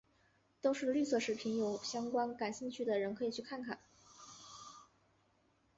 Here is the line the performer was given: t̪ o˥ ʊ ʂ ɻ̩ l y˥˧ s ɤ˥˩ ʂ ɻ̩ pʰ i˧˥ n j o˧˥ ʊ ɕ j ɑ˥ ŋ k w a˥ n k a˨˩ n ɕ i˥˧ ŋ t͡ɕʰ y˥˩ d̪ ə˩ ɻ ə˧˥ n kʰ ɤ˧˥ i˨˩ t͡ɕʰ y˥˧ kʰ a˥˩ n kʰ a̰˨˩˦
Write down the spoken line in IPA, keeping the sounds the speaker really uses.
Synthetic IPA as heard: t̪ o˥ ʊ ʂ ɻ̩ l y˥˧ s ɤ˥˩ ʂ ɻ̩ pʰ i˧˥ n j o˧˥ ʊ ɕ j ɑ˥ ŋ k w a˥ n k a˨˩ n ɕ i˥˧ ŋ t͡ɕʰ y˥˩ d̪ ə˩ ɻ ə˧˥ n kʰ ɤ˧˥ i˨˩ t͡ɕʰ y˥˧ kʰ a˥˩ n kʰ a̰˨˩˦